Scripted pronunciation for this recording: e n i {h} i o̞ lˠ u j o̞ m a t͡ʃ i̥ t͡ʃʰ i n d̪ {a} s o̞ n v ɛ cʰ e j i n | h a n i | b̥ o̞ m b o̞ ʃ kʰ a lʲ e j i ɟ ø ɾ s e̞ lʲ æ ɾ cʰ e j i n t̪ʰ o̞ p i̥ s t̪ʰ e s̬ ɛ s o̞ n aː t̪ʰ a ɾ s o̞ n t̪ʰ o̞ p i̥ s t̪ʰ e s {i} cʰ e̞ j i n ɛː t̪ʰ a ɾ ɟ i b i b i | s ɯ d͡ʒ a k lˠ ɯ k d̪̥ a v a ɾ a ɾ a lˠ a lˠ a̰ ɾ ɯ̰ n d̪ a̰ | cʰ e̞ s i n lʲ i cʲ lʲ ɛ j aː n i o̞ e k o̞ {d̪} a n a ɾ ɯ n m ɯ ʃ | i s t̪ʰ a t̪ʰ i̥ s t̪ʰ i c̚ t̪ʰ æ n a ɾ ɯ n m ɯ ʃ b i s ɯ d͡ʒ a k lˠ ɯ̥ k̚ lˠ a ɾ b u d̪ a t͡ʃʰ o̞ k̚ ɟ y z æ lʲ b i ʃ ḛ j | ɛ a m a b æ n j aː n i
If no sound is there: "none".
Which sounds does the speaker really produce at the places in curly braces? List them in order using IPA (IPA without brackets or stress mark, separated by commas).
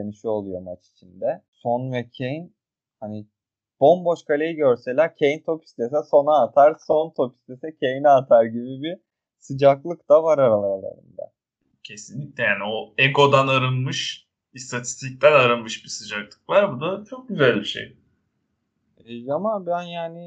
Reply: ʃ, ɛ, ɛ, d̪